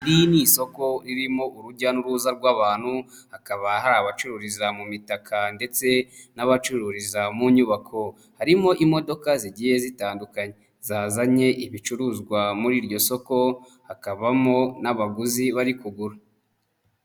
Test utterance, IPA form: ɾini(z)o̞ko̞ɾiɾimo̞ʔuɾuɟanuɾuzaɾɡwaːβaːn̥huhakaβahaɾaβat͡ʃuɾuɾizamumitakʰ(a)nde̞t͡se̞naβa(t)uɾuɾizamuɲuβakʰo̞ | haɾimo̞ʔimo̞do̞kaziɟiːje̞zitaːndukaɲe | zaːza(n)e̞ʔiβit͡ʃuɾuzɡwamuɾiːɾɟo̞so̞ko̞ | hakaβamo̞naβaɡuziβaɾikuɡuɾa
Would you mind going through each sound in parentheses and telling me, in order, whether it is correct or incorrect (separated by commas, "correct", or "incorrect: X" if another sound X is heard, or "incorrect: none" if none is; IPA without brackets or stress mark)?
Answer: incorrect: s, correct, incorrect: t͡ʃ, incorrect: ɲ